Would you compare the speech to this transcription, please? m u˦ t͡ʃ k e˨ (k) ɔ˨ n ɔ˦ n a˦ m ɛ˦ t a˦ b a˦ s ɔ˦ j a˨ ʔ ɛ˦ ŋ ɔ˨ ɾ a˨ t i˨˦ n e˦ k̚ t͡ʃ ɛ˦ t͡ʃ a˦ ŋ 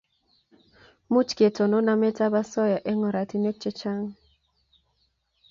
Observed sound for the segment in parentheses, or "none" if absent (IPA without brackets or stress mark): t